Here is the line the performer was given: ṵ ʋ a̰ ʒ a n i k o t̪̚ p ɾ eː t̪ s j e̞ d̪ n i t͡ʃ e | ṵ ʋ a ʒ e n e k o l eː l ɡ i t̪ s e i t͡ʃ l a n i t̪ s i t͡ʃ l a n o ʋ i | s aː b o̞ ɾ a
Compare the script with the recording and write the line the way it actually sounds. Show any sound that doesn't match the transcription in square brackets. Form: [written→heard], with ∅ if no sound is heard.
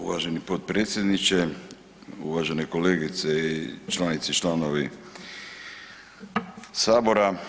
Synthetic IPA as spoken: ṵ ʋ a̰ ʒ [a→e] n i [k→p] o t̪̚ p ɾ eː t̪ s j e̞ d̪ n i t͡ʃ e | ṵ ʋ a ʒ e n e k o l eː [l→∅] ɡ i t̪ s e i t͡ʃ l a n i t̪ s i t͡ʃ l a n o ʋ i | s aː b o̞ ɾ a